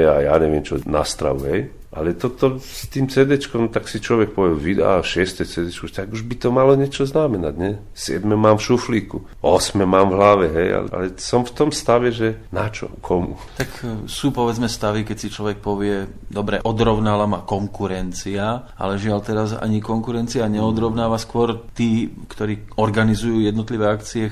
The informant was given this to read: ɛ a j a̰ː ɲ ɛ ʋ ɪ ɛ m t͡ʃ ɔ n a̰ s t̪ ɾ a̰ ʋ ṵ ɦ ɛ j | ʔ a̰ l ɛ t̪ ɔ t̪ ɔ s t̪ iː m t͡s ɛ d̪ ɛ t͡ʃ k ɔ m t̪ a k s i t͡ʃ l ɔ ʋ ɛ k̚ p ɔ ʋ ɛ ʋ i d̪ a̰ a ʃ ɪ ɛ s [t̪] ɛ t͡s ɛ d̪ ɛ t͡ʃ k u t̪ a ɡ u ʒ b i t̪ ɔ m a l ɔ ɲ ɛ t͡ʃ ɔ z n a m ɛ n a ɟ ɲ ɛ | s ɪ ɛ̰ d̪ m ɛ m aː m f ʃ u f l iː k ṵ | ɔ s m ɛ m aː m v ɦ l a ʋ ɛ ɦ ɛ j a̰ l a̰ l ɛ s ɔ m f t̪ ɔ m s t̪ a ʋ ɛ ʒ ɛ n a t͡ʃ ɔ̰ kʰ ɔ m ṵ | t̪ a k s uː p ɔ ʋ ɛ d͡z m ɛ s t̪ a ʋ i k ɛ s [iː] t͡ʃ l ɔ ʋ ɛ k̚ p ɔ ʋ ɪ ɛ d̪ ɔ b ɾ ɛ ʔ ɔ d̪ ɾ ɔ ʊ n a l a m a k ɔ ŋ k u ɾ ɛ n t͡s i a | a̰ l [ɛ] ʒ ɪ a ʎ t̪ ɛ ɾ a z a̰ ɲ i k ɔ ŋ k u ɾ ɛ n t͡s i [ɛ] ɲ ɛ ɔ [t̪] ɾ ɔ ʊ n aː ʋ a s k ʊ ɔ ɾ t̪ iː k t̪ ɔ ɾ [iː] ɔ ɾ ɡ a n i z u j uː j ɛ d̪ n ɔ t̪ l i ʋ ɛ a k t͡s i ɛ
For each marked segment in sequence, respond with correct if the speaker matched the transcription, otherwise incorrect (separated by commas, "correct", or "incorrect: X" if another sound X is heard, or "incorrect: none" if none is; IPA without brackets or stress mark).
correct, incorrect: i, correct, incorrect: a, incorrect: d̪, correct